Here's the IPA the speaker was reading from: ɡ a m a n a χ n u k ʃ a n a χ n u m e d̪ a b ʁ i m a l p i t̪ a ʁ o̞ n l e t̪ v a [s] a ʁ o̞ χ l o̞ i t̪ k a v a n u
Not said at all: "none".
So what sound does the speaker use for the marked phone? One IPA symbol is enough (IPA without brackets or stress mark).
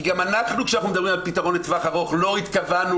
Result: χ